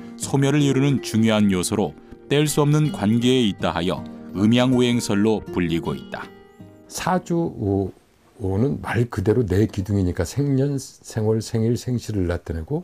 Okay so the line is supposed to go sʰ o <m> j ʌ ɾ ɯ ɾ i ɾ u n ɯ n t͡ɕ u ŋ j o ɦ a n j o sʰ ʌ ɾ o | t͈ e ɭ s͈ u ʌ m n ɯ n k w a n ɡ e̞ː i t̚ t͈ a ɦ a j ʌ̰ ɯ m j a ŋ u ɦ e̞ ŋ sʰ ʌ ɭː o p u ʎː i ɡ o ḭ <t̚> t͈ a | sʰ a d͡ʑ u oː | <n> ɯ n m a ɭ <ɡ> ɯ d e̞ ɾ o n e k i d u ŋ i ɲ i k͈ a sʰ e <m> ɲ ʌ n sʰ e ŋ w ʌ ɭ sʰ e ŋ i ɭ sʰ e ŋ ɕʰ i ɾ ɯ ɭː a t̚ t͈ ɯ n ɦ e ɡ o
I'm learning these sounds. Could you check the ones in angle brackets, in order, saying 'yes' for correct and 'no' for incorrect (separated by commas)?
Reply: yes, yes, yes, no, no